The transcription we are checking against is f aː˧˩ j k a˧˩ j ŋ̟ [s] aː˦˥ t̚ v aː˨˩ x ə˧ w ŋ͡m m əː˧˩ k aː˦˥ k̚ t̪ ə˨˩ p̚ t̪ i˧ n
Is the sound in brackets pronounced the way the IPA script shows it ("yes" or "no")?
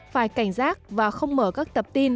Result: no